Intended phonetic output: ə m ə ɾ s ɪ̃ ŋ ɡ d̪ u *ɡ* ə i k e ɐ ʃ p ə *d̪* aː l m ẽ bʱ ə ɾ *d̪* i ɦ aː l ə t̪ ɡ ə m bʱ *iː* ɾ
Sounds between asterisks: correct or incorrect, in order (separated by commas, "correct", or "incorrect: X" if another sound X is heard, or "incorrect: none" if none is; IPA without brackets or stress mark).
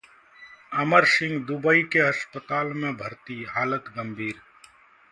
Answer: incorrect: b, incorrect: t̪, incorrect: t̪, correct